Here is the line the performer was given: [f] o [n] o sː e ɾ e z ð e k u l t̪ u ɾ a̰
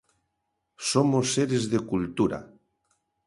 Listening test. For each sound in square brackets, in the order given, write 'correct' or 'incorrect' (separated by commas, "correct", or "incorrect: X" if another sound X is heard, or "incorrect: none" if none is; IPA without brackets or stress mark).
incorrect: s, incorrect: m